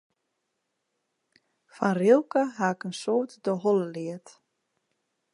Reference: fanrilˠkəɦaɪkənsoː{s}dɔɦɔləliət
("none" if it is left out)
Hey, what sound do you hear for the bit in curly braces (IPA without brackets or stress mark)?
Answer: t